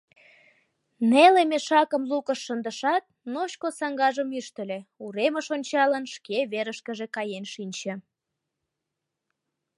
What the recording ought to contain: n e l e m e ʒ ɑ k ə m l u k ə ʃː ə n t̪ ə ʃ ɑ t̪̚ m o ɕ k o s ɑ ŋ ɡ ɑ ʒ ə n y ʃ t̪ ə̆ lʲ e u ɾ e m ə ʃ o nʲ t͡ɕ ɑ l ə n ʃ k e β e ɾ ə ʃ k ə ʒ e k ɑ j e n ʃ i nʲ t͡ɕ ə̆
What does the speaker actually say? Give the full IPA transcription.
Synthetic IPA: n e l e m e ʃ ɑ k ə m l u k ə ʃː ə n d̪ ə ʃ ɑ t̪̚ n o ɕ k o s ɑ ŋ ɡ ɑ ʒ ə m y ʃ t̪ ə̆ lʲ e u ɾ e m ə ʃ o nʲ t͡ɕ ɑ l ə n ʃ k e β e ɾ ə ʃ k ə ʒ e k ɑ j e n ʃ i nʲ t͡ɕ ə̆